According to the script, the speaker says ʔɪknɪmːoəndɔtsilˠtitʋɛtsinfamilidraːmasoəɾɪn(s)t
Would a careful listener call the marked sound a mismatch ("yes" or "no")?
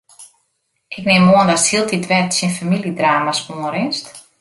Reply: no